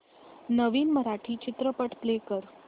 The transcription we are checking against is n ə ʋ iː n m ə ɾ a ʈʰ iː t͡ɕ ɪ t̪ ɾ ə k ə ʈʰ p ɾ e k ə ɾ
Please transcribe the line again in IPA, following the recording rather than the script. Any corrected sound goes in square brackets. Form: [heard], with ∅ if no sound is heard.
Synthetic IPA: n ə ʋ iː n m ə ɾ a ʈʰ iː t͡ɕ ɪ t̪ ɾ ə [p] ə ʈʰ p [l] e k ə ɾ